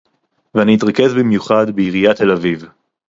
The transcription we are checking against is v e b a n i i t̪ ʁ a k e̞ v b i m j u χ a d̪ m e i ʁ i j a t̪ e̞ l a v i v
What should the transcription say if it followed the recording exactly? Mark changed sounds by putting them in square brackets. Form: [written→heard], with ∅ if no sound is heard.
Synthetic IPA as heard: v e [b→∅] a n i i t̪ ʁ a k e̞ [v→z] b i m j u χ a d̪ [m→b] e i ʁ i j a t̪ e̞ l a v i v